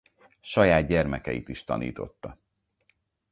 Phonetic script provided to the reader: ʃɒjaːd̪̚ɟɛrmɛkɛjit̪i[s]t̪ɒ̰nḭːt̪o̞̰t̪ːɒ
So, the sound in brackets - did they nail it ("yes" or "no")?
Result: no